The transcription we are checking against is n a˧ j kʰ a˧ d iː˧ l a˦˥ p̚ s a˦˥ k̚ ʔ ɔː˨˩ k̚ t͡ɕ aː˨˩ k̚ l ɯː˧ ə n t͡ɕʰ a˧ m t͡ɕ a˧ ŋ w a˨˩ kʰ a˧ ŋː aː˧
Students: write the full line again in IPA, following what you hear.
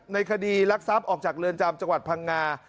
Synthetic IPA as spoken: n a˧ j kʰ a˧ d iː˧ l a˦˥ k̚ s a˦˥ p̚ ʔ ɔː˨˩ k̚ t͡ɕ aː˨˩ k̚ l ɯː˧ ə n t͡ɕ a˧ m t͡ɕ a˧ ŋ w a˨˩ pʰ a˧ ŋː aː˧